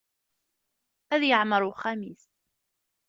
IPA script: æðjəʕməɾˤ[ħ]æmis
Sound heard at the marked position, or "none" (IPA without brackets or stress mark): χ